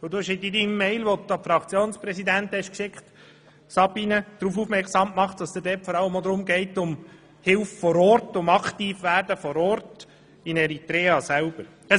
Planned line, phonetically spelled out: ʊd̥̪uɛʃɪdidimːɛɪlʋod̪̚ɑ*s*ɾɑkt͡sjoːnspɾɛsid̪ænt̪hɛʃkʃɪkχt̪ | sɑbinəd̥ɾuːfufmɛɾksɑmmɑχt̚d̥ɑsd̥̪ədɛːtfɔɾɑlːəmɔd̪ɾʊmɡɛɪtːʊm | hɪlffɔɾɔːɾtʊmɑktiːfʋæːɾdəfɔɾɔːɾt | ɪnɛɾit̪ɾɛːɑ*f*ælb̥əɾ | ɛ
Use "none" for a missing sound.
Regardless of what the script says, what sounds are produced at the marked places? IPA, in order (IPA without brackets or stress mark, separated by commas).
f, s